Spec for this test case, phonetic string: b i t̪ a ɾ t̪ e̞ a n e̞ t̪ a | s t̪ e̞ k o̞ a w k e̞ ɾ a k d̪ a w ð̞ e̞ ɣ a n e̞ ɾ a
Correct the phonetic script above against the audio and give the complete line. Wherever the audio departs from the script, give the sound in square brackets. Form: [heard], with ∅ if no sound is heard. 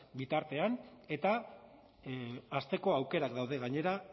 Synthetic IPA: b i t̪ a ɾ t̪ e̞ a n e̞ t̪ a | s t̪ e̞ k o̞ a w k e̞ ɾ a k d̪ a w ð̞ e̞ ɣ a [ɲ] e̞ ɾ a

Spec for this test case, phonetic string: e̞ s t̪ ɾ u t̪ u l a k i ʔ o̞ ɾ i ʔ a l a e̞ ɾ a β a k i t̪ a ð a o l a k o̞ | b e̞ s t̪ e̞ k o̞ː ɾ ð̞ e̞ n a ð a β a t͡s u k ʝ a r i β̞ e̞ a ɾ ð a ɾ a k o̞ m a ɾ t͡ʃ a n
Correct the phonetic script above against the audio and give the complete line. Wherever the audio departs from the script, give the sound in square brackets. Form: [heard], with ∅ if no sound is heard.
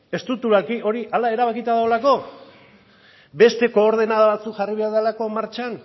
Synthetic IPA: e̞ s t̪ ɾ u t̪ u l a k i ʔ o̞ ɾ i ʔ a l a e̞ ɾ a β a k i t̪ a ð a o l a k o̞ | b e̞ s t̪ e̞ k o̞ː ɾ ð̞ e̞ n a ð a β a t͡s u k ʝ a r i β̞ e̞ a ɾ ð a [l] a k o̞ m a ɾ t͡ʃ a n

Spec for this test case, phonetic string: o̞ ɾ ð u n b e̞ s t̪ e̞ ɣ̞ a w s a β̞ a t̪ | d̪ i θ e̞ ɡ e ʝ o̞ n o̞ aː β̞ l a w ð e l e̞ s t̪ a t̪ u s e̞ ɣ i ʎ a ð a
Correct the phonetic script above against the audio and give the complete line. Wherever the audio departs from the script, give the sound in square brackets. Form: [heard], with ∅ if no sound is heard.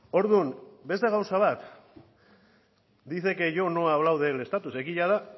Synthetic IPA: o̞ ɾ ð u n b e̞ s t̪ e̞ ɣ̞ a w s a β̞ a t̪ | d̪ i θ e̞ [k] e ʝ o̞ n o̞ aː β̞ l a w ð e l e̞ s t̪ a t̪ u s e̞ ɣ i ʎ a ð a

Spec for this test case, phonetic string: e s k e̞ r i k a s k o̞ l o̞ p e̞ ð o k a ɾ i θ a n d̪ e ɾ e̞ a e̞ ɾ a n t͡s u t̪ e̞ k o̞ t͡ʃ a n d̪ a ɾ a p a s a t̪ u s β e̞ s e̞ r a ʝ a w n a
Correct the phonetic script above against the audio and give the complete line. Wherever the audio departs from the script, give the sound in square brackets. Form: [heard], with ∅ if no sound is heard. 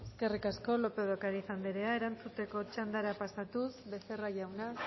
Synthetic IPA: e s k e̞ r i k a s k o̞ l o̞ p e̞ ð o k a ɾ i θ a n d̪ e ɾ e̞ a e̞ ɾ a n t͡s u t̪ e̞ k o̞ t͡ʃ a n d̪ a ɾ a p a s a t̪ u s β e̞ s e̞ r a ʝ a w n a

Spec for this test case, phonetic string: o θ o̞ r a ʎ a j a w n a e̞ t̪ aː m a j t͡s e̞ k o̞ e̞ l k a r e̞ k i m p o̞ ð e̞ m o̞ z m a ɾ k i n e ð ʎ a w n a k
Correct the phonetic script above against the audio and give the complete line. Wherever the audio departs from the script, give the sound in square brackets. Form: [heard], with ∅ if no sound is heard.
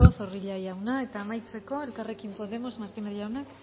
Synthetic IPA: o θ o̞ r [i] ʎ a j a w n a e̞ t̪ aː m a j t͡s e̞ k o̞ e̞ l k a r e̞ k i m p o̞ ð e̞ m o̞ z m a ɾ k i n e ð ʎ a w n a k

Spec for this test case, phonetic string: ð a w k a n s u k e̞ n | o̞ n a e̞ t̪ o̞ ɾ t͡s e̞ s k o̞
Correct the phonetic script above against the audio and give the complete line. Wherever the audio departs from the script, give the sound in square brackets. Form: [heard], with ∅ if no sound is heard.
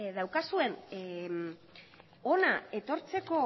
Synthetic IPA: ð a w k a [∅] s u [∅] e̞ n | o̞ n a e̞ t̪ o̞ ɾ t͡s e̞ [∅] k o̞

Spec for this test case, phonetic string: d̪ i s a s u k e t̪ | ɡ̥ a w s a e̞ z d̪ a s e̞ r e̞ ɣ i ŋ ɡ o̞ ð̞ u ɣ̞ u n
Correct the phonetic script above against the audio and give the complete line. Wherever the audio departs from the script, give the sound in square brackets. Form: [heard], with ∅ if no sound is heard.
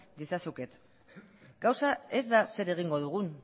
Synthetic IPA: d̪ i s a s u k e t̪ | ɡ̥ a w s a e̞ z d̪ a s e̞ [ɾ] e̞ ɣ i ŋ ɡ o̞ ð̞ u ɣ̞ u n

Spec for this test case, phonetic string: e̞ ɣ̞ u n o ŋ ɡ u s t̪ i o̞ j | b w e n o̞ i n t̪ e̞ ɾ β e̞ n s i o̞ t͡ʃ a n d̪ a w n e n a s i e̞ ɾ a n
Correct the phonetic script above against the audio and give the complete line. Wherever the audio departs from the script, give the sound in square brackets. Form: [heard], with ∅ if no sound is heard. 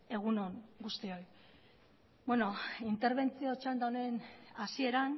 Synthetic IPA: e̞ ɣ̞ u n o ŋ ɡ u s t̪ i o̞ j | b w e n o̞ i n t̪ e̞ ɾ β e̞ n [t͡s] i o̞ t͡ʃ a n d̪ a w n e n a s i e̞ ɾ a n

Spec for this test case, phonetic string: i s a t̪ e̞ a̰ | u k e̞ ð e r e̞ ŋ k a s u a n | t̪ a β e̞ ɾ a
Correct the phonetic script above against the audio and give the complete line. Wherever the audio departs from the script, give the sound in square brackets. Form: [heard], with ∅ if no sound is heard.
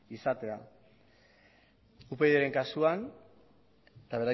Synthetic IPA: i s a t̪ e̞ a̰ | u [p] e̞ ð e [ɾ] e̞ ŋ k a s u a n | t̪ a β e̞ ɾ a

